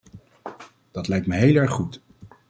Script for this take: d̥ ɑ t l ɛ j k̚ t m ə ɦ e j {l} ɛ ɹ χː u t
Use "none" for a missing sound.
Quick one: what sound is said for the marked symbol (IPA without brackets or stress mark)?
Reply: l